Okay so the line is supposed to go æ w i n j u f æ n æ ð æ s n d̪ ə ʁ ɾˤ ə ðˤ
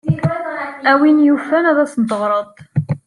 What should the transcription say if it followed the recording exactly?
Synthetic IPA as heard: æ w i n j u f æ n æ ð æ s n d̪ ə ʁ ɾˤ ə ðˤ